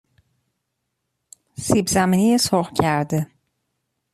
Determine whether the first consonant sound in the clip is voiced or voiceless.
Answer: voiceless